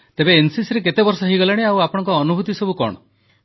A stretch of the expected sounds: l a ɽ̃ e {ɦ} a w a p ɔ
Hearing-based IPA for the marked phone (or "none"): none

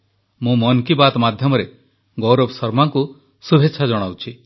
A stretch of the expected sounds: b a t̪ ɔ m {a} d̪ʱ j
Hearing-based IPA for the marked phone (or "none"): a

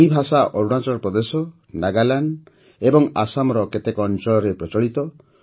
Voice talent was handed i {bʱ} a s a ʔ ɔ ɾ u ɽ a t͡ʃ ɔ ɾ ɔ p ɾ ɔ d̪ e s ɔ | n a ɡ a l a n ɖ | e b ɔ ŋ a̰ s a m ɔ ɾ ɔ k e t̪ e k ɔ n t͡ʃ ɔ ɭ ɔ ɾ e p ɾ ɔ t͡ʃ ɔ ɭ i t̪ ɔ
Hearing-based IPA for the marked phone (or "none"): bʱ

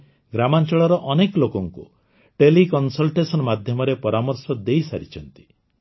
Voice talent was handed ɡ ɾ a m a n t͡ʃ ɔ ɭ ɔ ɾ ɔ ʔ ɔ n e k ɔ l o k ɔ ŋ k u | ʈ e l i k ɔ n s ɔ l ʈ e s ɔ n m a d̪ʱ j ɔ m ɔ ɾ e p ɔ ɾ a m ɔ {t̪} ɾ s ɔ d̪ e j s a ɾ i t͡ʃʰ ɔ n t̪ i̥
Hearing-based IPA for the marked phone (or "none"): none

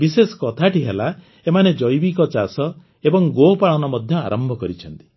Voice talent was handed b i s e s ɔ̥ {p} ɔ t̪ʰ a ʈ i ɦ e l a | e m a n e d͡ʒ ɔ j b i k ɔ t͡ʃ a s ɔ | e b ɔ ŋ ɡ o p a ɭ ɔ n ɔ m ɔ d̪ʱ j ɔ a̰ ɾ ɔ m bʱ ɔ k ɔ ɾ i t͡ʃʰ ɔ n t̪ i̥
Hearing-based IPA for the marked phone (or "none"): k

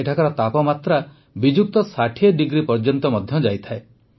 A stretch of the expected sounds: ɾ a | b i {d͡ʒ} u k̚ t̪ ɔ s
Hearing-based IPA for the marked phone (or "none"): d͡ʒ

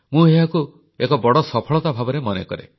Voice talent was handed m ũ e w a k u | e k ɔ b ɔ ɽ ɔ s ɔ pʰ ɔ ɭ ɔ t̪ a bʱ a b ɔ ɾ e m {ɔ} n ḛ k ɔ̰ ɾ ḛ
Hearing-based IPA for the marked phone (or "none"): ɔ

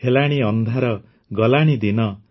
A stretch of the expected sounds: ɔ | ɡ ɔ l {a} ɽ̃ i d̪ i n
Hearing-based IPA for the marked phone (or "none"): a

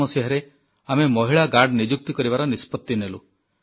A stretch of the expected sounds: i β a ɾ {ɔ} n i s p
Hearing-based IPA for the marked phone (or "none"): ɔ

